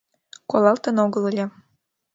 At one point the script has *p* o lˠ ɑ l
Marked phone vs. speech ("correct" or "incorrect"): incorrect